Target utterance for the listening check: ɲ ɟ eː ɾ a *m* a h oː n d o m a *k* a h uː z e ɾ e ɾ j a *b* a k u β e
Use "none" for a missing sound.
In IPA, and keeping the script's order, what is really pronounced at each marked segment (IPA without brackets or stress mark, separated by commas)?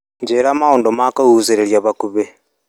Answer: m, k, β